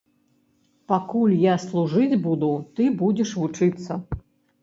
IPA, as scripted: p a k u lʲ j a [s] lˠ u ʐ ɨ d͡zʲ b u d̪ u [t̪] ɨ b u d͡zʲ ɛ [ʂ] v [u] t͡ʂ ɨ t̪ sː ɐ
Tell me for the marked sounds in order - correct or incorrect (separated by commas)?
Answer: correct, correct, correct, correct